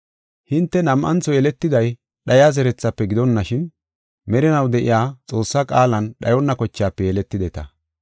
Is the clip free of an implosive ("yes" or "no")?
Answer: no